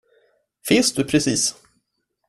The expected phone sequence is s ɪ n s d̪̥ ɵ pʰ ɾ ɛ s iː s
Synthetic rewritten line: f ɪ n s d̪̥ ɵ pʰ ɾ ɛ s iː s

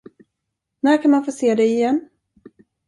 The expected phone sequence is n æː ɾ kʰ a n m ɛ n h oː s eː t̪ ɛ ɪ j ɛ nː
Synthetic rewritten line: n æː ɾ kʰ a n m a n f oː s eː d̪ ɛ ɪ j ɛ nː

